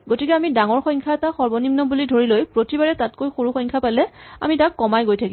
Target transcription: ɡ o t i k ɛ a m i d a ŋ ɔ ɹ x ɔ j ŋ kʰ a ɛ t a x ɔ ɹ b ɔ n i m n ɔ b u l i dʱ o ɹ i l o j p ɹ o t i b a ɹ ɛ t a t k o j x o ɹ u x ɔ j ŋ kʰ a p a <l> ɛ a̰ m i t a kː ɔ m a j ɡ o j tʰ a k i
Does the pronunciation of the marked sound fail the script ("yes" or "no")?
no